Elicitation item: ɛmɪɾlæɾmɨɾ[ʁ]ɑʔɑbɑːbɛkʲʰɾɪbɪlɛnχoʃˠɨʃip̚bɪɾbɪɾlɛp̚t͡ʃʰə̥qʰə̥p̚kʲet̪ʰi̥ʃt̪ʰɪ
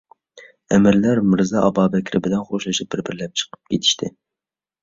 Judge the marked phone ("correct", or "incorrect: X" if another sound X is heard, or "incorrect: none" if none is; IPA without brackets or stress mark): incorrect: z